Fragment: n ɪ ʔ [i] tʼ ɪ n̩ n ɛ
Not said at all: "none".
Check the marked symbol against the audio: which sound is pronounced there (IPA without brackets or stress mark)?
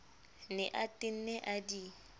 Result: a